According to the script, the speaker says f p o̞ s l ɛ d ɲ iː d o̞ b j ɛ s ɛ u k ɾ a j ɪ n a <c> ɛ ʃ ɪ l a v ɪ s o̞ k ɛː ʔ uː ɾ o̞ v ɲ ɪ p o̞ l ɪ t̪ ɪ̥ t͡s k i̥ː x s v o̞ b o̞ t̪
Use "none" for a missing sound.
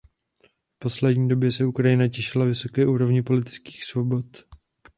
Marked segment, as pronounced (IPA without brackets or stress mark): c